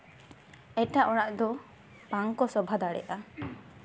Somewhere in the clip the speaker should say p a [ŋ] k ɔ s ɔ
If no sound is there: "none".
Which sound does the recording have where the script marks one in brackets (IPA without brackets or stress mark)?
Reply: ŋ